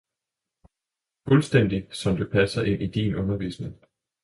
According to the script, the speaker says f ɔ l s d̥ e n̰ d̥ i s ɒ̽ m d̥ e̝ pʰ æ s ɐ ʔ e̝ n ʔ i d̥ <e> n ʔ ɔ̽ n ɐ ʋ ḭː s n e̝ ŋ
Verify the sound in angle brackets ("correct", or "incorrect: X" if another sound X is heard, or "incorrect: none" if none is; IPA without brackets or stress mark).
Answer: incorrect: i